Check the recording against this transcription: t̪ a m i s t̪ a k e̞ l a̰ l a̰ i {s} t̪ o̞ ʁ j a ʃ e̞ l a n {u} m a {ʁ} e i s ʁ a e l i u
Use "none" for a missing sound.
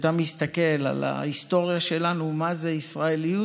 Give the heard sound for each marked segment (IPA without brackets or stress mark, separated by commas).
s, u, z